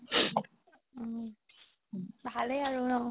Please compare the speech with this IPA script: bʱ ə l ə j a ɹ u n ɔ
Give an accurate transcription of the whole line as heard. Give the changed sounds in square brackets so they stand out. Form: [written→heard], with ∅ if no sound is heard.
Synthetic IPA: bʱ [ə→a] l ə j a ɹ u n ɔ